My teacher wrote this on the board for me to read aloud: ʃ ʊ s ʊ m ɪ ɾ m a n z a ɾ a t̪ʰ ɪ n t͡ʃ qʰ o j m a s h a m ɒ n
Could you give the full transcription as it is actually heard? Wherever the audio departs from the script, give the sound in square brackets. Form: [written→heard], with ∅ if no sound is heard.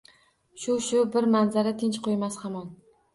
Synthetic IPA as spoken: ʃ ʊ [s→ʃ] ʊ [m→b] ɪ ɾ m a n z a ɾ a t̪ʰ ɪ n t͡ʃ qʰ o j m a s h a m ɒ n